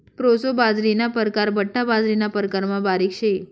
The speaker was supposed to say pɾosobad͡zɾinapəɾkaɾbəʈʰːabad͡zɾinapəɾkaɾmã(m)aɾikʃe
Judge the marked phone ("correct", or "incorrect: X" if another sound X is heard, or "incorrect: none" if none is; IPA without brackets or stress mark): incorrect: b